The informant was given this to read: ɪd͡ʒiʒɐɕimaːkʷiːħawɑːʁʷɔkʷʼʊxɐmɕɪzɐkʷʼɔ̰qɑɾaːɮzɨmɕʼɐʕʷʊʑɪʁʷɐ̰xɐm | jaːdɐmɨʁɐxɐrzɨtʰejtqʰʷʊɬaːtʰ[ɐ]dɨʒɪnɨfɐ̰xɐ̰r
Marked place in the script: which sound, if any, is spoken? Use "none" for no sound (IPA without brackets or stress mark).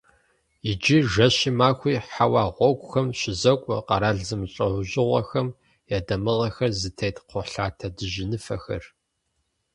ɐ